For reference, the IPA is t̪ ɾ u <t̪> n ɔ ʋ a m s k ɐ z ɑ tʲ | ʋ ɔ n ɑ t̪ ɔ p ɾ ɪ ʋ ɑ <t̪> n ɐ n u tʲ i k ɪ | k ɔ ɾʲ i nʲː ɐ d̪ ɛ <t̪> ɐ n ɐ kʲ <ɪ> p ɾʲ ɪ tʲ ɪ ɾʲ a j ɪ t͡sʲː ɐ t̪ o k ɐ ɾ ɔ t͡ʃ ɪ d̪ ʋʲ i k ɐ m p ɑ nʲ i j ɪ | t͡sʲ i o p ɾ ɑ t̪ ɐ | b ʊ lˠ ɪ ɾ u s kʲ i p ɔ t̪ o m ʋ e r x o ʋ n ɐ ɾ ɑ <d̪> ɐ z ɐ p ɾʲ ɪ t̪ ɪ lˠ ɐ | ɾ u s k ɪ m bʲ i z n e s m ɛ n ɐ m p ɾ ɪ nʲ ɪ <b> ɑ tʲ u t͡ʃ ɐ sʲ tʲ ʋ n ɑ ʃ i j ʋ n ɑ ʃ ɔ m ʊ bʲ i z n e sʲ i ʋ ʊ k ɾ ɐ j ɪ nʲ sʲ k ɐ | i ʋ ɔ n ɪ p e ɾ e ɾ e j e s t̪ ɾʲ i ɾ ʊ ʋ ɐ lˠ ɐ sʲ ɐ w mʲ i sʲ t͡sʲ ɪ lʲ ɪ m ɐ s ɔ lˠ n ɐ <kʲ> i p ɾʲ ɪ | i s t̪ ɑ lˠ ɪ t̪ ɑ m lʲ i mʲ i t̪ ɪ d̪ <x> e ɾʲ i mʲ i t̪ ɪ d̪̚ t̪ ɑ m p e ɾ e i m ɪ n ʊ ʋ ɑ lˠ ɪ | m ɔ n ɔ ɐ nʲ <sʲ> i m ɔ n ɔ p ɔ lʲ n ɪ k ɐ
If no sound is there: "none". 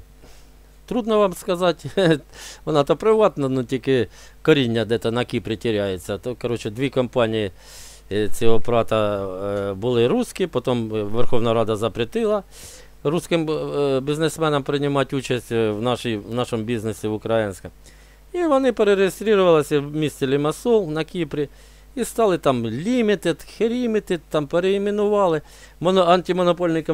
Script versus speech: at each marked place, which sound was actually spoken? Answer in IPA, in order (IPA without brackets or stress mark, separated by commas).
d̪, t̪, t̪, i, d̪, m, kʲ, x, tʲ